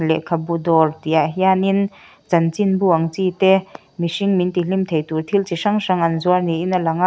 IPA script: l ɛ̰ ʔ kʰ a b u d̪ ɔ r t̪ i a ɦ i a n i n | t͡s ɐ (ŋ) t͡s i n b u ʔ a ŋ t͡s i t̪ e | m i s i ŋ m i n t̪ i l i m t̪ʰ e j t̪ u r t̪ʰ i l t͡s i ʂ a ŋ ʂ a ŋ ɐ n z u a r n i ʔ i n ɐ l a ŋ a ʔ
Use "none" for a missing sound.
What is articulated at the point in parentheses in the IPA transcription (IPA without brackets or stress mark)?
n